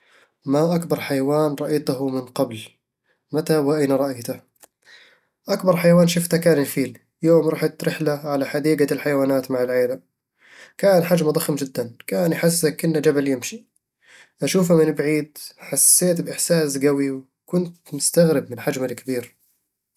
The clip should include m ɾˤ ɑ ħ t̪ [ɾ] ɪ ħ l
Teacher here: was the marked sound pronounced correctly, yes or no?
yes